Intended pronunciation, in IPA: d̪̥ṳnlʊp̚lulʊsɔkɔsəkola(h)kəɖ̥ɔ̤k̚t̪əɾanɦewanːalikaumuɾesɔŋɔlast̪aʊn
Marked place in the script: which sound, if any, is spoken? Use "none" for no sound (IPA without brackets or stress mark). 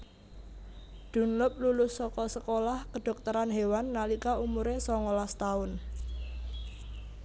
h